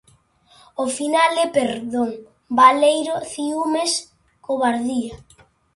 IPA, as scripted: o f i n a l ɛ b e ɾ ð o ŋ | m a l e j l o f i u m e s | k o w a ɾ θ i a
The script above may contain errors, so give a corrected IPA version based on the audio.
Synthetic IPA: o f i n a l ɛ p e ɾ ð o ŋ | b a l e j ɾ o θ i u m e s | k o β a ɾ ð i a